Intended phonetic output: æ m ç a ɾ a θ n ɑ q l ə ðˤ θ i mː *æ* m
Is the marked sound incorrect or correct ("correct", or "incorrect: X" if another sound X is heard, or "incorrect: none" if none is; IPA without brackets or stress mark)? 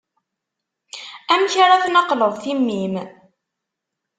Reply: incorrect: i